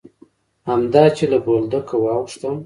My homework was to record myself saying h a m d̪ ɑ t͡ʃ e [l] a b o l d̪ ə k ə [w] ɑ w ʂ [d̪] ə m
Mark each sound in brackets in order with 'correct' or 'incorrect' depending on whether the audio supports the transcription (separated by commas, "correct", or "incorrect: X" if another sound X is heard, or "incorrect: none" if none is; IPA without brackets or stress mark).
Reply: correct, correct, incorrect: t̪